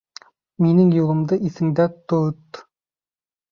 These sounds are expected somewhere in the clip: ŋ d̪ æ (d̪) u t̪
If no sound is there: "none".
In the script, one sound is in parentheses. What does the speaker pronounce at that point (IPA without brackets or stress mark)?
t̪